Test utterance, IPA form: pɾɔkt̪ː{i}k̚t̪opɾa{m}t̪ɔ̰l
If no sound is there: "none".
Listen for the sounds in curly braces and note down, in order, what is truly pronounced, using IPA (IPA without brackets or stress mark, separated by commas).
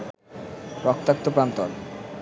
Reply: a, n